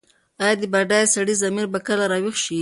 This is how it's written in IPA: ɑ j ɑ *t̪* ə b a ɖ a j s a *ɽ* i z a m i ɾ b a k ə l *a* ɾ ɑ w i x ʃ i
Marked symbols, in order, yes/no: no, yes, yes

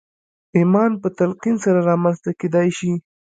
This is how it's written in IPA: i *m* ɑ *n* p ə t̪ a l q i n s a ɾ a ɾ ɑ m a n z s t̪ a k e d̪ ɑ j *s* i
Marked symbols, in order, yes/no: yes, yes, no

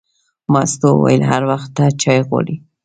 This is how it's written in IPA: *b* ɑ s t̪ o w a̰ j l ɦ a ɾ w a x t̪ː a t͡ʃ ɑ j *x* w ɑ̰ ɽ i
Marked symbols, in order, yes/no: no, no

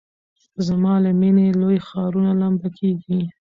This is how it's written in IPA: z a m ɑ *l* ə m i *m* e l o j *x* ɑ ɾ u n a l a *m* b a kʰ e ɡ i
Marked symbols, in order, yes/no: yes, no, yes, yes

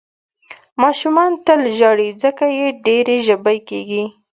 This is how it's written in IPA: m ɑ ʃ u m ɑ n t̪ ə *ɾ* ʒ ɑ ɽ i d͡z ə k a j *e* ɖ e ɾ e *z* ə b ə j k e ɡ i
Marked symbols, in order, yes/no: no, yes, no

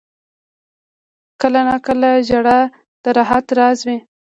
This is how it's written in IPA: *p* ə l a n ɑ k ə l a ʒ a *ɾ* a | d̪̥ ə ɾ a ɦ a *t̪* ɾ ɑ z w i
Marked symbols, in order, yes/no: no, no, yes

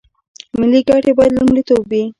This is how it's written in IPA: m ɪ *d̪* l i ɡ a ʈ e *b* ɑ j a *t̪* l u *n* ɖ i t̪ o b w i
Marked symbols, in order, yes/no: no, yes, no, no

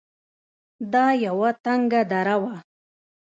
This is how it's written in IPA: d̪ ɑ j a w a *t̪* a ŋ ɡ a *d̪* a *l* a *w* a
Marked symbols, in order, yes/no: yes, yes, no, yes

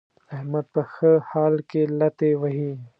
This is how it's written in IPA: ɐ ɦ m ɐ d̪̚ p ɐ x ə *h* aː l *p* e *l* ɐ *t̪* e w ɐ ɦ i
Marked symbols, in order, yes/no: yes, no, yes, yes

